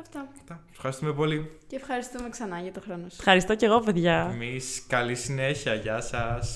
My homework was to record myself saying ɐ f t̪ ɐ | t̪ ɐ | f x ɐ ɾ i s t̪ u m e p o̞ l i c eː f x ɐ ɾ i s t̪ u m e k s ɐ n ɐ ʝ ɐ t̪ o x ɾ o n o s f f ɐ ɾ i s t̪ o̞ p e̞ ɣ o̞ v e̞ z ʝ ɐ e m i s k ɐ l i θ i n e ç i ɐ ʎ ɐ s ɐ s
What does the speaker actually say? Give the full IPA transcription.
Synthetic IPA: ɐ f t̪ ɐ | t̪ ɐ | f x ɐ ɾ i s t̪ u m e p o̞ l i c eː f x ɐ ɾ i s t̪ u m e k s ɐ n ɐ ʝ ɐ t̪ o x ɾ o n o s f x ɐ ɾ i s t̪ o̞ c e̞ ɣ o̞ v e̞ ð ʝ ɐ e m i s k ɐ l i s i n e ç i ɐ ʝ ɐ s ɐ s